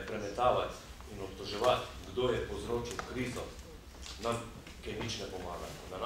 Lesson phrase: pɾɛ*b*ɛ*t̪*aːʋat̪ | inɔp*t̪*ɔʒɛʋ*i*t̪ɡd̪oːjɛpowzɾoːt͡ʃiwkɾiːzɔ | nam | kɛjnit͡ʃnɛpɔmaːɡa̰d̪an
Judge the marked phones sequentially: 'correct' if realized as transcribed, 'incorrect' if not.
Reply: incorrect, correct, correct, incorrect

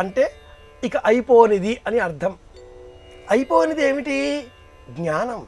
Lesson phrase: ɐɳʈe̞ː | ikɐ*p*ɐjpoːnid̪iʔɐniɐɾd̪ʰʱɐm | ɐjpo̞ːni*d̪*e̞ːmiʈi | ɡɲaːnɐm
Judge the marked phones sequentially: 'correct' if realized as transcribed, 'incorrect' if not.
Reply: incorrect, correct

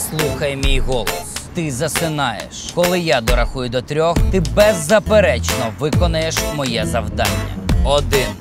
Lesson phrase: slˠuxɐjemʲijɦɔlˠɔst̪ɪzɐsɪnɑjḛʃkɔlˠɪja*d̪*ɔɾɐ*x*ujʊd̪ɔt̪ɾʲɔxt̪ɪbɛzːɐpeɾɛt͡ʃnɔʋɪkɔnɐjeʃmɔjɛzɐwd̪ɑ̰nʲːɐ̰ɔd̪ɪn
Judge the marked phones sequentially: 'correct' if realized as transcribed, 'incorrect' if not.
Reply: correct, correct

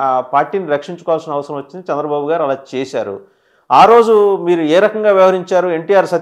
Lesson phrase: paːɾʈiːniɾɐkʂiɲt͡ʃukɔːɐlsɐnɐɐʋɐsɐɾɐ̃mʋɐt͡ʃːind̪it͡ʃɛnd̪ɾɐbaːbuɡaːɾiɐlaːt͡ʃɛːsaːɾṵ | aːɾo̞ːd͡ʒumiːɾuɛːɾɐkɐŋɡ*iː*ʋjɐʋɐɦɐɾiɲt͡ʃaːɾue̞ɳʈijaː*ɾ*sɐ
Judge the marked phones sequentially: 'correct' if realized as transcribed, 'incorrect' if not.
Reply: incorrect, correct

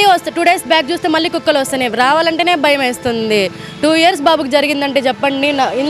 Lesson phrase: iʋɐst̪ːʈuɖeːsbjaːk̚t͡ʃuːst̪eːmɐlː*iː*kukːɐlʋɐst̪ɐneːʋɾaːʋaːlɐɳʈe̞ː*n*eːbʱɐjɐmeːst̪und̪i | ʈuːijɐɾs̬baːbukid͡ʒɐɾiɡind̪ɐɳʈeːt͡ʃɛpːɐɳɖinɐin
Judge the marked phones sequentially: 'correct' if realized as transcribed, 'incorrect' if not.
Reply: correct, correct

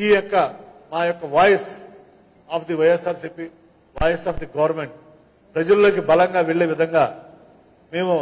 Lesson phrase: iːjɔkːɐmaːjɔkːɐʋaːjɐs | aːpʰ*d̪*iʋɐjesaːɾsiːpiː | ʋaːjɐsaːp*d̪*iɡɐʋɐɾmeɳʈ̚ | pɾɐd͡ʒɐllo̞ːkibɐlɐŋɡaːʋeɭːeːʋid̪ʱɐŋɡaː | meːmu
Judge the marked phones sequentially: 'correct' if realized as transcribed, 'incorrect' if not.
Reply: correct, correct

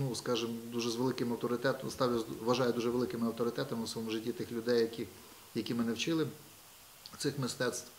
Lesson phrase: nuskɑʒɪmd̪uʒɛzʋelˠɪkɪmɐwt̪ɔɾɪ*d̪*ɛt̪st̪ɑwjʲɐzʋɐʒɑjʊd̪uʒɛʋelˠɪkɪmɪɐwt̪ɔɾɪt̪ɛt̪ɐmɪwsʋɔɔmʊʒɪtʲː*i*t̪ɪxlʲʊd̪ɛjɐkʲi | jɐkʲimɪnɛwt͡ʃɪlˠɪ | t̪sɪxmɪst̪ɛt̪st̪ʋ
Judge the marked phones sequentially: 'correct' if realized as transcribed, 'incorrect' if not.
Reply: incorrect, correct

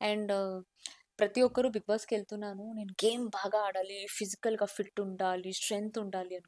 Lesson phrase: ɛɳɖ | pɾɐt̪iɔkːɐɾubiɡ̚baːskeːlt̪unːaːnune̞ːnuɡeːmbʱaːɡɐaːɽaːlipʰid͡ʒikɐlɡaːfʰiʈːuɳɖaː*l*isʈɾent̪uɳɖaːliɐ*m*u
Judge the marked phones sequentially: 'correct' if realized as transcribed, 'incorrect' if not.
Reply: correct, incorrect

